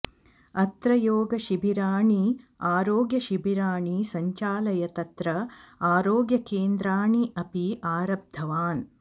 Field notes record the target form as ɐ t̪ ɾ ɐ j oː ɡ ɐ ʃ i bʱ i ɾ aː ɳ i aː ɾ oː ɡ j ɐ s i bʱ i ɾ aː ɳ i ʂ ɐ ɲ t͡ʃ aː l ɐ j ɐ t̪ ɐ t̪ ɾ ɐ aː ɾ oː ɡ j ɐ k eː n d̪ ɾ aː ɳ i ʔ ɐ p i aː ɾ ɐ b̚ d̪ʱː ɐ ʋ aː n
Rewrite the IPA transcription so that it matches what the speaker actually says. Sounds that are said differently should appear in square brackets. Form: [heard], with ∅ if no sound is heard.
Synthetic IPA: ɐ t̪ ɾ ɐ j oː ɡ ɐ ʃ i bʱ i ɾ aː ɳ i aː ɾ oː ɡ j ɐ [ʃ] i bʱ i ɾ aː ɳ i [s] ɐ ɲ t͡ʃ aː l ɐ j ɐ t̪ ɐ t̪ ɾ ɐ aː ɾ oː ɡ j ɐ k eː n d̪ ɾ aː ɳ i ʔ ɐ p i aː ɾ ɐ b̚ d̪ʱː ɐ ʋ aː n

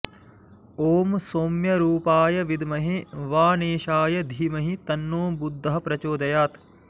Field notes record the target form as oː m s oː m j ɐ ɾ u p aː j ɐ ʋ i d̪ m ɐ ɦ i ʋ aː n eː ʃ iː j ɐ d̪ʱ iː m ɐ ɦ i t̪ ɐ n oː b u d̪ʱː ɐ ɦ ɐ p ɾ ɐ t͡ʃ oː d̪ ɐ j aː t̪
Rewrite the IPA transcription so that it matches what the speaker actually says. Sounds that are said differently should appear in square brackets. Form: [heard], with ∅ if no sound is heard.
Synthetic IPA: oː m s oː m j ɐ ɾ [uː] p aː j ɐ ʋ i d̪ m ɐ ɦ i ʋ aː n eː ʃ [aː] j ɐ d̪ʱ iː m ɐ ɦ i t̪ ɐ [nː] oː b u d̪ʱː ɐ ɦ ɐ p ɾ ɐ t͡ʃ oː d̪ ɐ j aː t̪

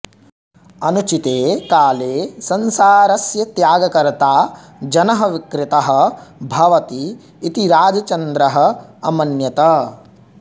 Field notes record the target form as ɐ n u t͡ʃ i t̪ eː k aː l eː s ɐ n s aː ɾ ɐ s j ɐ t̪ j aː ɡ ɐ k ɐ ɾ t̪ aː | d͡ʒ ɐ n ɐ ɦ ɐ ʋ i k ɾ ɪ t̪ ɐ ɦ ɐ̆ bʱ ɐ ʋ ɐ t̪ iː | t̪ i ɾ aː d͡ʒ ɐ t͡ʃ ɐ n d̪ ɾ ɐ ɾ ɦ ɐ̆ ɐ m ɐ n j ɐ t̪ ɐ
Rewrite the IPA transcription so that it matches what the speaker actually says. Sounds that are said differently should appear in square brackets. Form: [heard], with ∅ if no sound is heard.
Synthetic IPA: ɐ n u t͡ʃ i t̪ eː k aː l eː s ɐ n s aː ɾ ɐ s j ɐ t̪ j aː ɡ ɐ k ɐ ɾ t̪ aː | d͡ʒ ɐ n ɐ ɦ ɐ ʋ i k ɾ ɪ t̪ ɐ ɦ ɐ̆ bʱ ɐ ʋ ɐ t̪ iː | t̪ i ɾ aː d͡ʒ ɐ t͡ʃ ɐ n d̪ ɾ ɐ [∅] ɦ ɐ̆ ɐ m ɐ n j ɐ t̪ ɐ

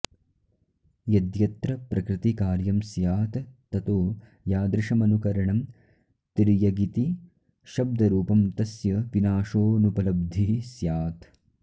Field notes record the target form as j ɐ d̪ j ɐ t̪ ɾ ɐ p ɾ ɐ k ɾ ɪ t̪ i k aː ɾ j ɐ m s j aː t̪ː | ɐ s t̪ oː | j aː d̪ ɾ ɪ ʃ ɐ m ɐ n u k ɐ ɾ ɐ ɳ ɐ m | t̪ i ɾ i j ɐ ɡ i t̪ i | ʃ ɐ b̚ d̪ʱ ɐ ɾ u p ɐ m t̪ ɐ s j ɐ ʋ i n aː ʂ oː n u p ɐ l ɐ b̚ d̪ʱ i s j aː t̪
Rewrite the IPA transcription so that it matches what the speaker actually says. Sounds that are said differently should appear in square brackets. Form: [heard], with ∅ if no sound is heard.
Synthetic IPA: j ɐ d̪ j ɐ t̪ ɾ ɐ p ɾ ɐ k ɾ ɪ t̪ i k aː ɾ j ɐ m s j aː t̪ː | ɐ [∅] t̪ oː | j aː d̪ ɾ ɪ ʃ ɐ m ɐ n u k ɐ ɾ ɐ ɳ ɐ m | t̪ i ɾ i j ɐ ɡ i t̪ i | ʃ ɐ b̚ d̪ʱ ɐ ɾ [uː] p ɐ m t̪ ɐ s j ɐ ʋ i n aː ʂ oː n u p ɐ l ɐ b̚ d̪ʱ i s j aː t̪

